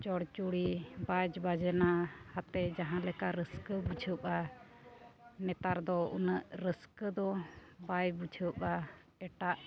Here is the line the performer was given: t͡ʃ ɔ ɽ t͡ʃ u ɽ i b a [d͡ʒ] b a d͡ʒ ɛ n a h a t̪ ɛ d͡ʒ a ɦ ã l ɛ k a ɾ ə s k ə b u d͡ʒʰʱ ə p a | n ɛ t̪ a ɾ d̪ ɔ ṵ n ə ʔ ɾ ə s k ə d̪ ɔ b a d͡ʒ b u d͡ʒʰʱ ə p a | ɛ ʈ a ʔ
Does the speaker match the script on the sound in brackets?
yes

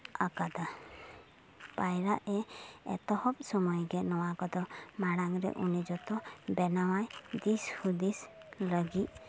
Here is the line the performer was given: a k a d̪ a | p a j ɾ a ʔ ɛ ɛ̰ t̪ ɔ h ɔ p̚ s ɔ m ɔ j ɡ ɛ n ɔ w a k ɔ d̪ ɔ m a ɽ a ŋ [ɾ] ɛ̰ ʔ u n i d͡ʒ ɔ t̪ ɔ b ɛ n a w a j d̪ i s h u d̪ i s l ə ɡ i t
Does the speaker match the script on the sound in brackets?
yes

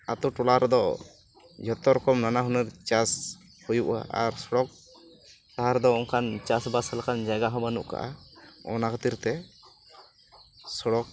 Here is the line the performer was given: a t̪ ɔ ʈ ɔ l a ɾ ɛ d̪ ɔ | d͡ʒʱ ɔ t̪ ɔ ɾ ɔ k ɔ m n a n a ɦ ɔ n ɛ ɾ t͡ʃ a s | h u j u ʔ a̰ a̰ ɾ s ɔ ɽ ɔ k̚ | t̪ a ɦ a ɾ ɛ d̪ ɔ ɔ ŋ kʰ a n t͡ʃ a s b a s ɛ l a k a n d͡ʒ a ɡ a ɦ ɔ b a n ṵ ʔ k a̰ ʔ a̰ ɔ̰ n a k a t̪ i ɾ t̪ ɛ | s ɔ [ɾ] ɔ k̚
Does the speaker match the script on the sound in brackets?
no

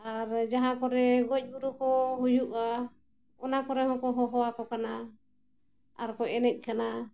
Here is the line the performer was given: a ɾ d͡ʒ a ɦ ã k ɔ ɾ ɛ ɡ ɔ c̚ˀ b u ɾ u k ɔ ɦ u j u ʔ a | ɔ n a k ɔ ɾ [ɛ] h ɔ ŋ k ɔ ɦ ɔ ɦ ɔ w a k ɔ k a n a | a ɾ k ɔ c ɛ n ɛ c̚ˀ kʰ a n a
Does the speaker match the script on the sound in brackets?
yes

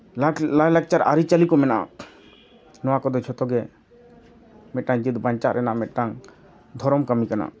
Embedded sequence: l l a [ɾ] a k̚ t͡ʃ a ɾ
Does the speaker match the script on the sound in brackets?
no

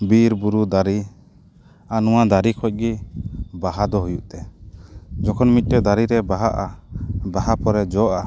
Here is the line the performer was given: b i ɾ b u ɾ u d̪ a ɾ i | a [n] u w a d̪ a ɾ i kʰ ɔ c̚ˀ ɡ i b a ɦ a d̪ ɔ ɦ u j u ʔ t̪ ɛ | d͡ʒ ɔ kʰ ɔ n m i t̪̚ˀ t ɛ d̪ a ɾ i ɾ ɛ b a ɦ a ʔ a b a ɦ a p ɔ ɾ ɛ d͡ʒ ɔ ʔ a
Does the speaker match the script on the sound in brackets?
yes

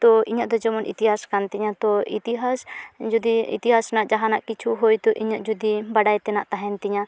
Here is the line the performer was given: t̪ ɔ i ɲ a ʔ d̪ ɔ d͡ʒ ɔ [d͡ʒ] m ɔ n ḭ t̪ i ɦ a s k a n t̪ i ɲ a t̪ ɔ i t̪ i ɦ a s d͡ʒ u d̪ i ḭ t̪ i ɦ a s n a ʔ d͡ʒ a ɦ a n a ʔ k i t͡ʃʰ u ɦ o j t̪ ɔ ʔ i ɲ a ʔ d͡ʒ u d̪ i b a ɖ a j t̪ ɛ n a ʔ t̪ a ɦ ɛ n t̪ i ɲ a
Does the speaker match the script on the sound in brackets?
no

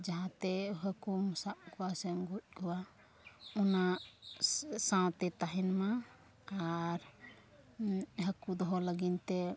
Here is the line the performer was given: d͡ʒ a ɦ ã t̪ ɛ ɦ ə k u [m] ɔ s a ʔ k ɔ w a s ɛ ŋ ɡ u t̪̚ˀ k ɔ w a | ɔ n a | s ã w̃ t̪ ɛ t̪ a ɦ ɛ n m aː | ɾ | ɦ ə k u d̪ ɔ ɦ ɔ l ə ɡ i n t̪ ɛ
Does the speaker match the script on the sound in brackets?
yes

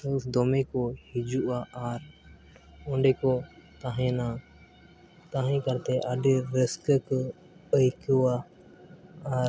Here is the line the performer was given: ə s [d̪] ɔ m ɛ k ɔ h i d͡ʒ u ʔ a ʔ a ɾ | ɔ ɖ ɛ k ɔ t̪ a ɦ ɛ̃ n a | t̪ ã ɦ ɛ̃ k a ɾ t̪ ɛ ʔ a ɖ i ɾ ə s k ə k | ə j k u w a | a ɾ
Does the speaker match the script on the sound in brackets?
yes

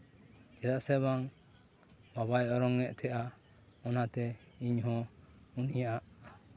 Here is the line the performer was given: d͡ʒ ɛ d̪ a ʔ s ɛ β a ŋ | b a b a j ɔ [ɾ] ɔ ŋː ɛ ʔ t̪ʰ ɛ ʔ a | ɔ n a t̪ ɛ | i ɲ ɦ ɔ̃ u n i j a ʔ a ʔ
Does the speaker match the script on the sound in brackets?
yes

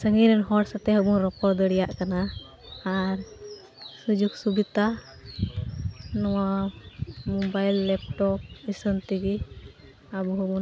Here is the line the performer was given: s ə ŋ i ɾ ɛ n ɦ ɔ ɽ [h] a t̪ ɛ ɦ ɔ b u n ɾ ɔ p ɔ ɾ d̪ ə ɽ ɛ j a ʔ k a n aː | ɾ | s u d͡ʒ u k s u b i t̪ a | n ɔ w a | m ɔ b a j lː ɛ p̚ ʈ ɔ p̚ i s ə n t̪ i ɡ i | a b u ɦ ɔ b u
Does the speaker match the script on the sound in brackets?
no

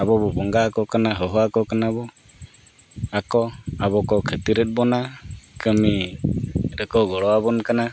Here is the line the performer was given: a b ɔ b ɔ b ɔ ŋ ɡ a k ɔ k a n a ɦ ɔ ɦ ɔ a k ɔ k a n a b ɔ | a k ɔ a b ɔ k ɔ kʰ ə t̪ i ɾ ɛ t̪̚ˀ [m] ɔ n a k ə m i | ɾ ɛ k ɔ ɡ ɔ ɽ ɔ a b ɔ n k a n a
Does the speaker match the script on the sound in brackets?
no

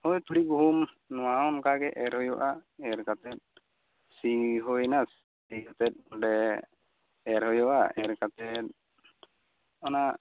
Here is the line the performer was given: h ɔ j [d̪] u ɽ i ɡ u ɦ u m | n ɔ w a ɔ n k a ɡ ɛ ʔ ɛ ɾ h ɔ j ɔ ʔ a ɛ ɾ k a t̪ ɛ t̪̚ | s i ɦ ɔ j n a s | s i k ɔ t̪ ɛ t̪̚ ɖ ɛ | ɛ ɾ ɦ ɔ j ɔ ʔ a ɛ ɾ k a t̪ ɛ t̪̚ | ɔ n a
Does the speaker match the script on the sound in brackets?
no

